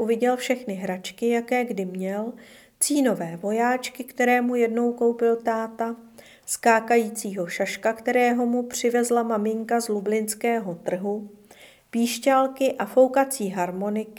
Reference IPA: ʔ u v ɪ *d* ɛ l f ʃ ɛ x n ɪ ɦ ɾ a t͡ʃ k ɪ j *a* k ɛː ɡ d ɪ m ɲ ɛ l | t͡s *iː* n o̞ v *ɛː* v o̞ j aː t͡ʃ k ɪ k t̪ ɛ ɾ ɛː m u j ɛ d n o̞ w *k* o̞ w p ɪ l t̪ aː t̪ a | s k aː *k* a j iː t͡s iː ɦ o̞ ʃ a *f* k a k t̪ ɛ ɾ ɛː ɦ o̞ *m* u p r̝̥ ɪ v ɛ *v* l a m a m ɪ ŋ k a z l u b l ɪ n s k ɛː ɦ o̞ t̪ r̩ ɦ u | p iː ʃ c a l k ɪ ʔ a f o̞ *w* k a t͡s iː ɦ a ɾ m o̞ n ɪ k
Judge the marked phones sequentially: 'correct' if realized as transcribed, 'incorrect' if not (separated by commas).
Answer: incorrect, correct, correct, correct, correct, correct, incorrect, correct, incorrect, correct